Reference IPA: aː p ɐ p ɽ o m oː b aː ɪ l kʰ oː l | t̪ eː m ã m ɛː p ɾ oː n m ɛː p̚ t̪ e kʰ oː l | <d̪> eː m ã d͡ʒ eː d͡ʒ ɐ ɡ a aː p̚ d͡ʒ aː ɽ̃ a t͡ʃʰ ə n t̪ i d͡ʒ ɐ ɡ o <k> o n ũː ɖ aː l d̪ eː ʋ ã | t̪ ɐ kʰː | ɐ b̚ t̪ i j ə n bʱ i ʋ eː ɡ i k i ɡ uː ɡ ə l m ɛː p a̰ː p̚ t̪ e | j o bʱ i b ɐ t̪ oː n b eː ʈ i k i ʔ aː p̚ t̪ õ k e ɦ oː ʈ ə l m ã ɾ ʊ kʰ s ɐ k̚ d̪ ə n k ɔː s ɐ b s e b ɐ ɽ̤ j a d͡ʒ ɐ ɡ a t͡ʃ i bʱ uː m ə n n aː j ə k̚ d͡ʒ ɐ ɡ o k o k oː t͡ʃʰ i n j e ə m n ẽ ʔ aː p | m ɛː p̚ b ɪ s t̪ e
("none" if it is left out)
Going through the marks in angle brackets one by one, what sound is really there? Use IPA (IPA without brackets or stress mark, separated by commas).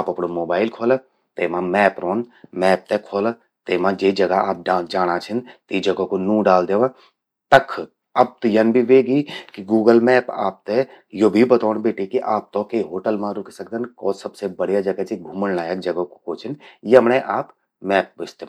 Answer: t̪, k